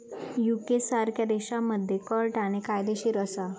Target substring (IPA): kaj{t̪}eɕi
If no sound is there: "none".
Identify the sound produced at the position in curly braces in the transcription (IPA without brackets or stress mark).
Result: d̪